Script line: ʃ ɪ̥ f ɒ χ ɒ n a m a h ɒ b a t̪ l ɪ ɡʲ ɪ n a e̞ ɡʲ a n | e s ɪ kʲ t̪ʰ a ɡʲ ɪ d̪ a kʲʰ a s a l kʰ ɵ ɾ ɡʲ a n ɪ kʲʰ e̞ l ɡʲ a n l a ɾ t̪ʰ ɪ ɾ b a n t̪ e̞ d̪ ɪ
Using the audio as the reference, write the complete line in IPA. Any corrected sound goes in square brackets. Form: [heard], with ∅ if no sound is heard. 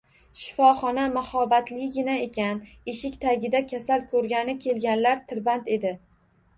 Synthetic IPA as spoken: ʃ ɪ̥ f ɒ χ ɒ n a m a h ɒ b a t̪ l ɪ ɡʲ ɪ n a e̞ [kʲ] a n | e [ʃ] ɪ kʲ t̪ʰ a ɡʲ ɪ d̪ a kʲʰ a s a l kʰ ɵ ɾ ɡʲ a n ɪ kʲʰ e̞ l ɡʲ a n l a ɾ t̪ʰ ɪ ɾ b a n t̪ e̞ d̪ ɪ